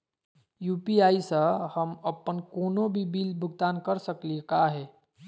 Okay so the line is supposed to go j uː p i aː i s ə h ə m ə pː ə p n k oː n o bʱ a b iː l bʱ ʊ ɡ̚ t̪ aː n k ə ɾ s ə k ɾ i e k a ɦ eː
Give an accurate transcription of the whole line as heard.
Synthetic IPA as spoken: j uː p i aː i s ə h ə m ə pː ə n k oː n o bʱ i b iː l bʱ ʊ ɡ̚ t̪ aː n k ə ɾ s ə k l i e k a ɦ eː